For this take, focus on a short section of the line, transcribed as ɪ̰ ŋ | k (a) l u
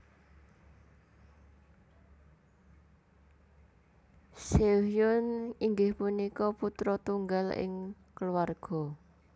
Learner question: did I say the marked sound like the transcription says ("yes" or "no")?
no